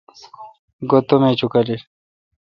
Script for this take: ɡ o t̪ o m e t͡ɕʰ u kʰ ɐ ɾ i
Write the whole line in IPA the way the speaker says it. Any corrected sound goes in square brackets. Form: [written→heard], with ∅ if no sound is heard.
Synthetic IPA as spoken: ɡ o t̪ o m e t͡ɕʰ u [kʰ→k] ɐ [ɾ→l] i

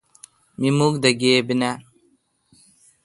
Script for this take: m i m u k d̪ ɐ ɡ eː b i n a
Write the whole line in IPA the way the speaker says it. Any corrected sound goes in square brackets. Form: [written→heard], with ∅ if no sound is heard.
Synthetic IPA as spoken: m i m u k d̪ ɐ ɡ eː b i n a

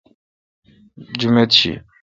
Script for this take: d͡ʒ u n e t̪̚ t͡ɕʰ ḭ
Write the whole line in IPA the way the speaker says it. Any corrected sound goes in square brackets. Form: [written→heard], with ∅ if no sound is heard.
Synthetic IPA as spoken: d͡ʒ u [n→m] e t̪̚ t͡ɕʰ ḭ

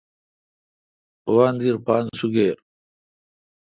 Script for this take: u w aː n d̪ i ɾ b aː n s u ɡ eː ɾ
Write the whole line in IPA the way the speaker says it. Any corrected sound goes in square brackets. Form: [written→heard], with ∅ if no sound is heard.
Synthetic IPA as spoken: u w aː n d̪ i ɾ [b→p] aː n s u ɡ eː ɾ

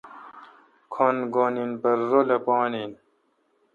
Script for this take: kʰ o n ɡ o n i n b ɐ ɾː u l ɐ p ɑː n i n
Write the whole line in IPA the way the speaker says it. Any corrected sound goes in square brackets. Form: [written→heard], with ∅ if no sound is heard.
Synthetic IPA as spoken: kʰ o n ɡ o n i n b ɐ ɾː [u→o] l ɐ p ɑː n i n

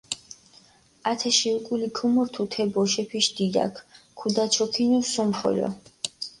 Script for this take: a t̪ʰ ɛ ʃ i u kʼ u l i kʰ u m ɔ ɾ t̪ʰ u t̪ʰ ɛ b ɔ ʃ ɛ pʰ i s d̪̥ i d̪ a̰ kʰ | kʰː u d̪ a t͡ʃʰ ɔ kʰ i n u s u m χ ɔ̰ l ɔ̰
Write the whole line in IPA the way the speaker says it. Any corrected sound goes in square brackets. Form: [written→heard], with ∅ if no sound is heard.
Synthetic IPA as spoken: a t̪ʰ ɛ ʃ i u kʼ u l i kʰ u m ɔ ɾ t̪ʰ u t̪ʰ ɛ b ɔ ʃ ɛ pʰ i [s→ʃ] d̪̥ i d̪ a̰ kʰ | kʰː u d̪ a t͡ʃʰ ɔ kʰ i n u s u m χ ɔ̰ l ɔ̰

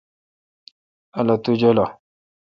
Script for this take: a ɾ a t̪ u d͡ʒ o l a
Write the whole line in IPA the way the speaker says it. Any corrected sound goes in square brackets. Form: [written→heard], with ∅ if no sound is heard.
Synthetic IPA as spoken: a [ɾ→l] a t̪ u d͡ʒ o l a

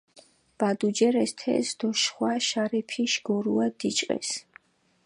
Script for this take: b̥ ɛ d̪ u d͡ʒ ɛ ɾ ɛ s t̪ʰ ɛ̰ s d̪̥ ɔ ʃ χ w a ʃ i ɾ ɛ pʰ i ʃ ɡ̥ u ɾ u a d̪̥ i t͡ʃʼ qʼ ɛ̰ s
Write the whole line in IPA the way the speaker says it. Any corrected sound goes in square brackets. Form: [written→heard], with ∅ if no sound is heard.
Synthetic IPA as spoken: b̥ [ɛ→a] d̪ u d͡ʒ ɛ ɾ ɛ s t̪ʰ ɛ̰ s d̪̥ ɔ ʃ χ w a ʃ [i→a] ɾ ɛ pʰ i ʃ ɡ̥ [u→ɔ] ɾ u a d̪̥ i t͡ʃʼ qʼ ɛ̰ s

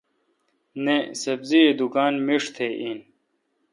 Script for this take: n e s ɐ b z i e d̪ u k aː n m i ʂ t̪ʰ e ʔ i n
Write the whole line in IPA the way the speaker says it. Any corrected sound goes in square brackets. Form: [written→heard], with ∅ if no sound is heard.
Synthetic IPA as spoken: n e s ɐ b z i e d̪ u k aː n m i ʂ t̪ʰ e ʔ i n

